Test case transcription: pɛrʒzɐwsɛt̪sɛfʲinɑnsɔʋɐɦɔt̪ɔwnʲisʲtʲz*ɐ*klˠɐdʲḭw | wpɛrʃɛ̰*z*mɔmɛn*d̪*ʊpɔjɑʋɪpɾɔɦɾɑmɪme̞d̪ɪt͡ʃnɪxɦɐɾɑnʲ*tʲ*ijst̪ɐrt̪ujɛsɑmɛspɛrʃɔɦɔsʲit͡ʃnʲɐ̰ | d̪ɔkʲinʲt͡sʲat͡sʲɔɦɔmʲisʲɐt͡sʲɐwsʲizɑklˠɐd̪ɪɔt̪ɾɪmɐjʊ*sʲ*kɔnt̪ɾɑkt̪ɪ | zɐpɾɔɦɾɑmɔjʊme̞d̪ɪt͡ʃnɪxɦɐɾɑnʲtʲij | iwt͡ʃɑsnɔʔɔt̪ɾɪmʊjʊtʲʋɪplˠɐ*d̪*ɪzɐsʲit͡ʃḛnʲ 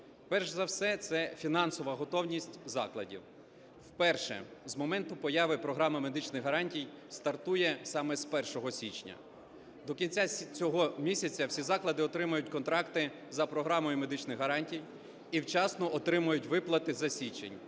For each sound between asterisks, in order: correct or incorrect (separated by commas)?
incorrect, correct, incorrect, correct, incorrect, incorrect